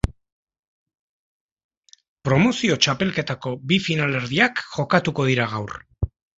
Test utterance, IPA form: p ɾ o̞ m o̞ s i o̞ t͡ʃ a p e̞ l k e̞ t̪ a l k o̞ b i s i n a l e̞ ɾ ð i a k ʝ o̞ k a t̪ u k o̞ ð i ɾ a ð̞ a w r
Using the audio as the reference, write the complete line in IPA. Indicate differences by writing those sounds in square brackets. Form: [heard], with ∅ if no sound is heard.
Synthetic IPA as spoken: p ɾ o̞ m o̞ s i o̞ t͡ʃ a p e̞ l k e̞ t̪ a [∅] k o̞ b i [f] i n a l e̞ ɾ ð i a k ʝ o̞ k a t̪ u k o̞ ð i ɾ a [ɣ̞] a w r